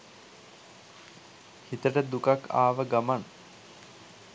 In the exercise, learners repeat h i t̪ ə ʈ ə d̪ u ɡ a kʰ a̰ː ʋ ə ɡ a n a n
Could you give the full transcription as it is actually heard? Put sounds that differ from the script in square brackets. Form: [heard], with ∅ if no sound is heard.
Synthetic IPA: h i t̪ ə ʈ ə d̪ u [k] a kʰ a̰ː ʋ ə ɡ a [m] a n